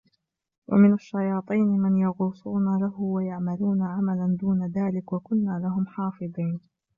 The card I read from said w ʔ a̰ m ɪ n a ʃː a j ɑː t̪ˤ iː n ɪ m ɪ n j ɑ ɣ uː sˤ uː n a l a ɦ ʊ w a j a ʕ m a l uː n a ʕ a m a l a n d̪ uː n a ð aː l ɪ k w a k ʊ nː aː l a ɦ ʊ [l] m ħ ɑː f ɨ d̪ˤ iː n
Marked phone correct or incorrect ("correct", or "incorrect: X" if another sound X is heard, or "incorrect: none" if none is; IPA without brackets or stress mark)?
incorrect: none